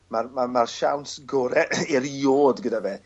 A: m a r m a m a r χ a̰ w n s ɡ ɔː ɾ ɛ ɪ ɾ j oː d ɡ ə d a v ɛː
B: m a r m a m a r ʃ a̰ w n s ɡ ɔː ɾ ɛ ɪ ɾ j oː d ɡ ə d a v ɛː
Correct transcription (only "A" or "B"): B